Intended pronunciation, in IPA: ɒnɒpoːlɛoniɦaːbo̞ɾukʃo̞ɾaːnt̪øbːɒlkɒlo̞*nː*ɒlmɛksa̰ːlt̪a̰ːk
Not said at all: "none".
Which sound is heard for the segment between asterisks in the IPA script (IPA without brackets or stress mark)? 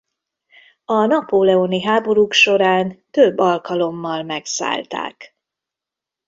mː